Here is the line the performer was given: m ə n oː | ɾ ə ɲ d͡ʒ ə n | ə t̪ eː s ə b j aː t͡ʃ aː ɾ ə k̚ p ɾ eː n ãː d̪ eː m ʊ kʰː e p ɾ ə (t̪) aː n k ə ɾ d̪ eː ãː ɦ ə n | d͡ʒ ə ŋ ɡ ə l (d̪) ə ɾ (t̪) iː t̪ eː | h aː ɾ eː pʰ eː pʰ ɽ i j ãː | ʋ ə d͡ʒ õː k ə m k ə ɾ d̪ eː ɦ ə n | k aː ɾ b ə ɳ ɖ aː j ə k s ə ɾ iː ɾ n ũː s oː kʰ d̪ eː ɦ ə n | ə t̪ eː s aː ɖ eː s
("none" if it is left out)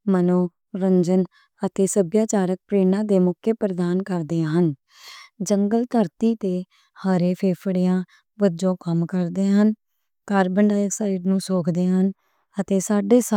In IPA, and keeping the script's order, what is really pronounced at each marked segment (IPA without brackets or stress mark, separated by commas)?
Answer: d̪, t̪, t̪